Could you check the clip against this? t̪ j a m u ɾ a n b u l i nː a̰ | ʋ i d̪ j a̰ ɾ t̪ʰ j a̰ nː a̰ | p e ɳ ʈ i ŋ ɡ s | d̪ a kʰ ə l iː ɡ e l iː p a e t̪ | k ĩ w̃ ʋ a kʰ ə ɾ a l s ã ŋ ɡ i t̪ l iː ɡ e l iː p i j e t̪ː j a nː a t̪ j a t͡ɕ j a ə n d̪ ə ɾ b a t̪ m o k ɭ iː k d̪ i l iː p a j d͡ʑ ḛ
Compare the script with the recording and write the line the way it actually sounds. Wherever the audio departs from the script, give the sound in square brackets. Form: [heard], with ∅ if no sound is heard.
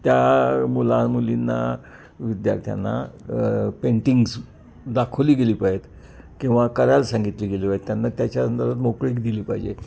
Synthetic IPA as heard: t̪ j a m u [l] a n [m] u l i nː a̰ | ʋ i d̪ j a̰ ɾ t̪ʰ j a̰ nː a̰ | p e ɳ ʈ i ŋ ɡ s | d̪ a kʰ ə l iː ɡ e l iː p a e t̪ | k ĩ w̃ ʋ a [k] ə ɾ a l s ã ŋ ɡ i t̪ l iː ɡ e l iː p [a] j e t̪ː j a nː a t̪ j a t͡ɕ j a ə n d̪ ə ɾ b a t̪ m o k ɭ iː k d̪ i l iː p a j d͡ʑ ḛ